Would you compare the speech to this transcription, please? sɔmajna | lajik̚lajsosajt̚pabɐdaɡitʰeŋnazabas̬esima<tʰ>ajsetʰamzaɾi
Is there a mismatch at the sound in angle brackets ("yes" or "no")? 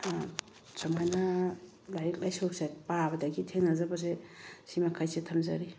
yes